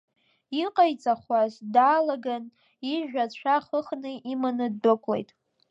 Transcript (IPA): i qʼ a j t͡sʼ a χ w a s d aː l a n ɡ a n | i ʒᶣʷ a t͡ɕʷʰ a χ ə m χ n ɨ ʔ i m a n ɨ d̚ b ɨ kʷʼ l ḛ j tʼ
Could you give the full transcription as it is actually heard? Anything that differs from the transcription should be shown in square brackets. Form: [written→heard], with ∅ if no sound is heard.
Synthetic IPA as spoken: i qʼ a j t͡sʼ a χ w a [s→z] d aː l a [n→∅] ɡ a n | i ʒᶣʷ a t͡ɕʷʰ a χ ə [m→∅] χ n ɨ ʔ i m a n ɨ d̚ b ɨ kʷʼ l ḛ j tʼ